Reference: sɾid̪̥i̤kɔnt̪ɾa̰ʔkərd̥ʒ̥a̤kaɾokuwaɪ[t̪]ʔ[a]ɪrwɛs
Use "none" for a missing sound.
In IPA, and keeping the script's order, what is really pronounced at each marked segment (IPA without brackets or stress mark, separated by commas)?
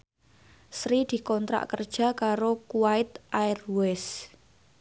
t̪, a